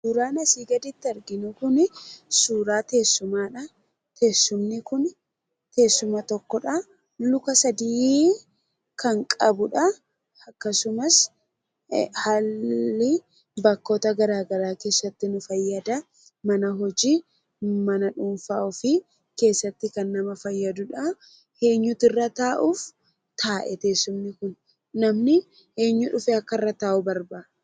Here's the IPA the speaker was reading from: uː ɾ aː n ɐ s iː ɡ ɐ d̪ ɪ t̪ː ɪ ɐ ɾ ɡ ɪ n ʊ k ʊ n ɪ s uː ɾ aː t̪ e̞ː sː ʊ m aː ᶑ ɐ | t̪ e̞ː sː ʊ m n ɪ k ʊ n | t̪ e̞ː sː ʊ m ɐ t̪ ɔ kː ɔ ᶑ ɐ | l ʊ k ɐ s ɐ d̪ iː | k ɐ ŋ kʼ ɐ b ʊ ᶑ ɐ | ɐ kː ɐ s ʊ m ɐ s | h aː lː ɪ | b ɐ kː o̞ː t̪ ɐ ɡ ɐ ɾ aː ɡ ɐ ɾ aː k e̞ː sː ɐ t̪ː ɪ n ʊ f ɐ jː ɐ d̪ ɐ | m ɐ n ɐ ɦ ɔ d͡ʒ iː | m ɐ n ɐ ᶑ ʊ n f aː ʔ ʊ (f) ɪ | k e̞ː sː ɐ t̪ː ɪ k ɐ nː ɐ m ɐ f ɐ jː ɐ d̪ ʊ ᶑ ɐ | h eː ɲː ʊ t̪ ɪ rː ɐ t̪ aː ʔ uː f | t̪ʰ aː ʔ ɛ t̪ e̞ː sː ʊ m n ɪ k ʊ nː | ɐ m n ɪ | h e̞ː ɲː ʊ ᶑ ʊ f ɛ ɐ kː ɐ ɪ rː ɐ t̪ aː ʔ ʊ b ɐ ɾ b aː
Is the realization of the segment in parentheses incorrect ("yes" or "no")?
no